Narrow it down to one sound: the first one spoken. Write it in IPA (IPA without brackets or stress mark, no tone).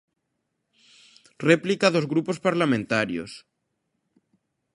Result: r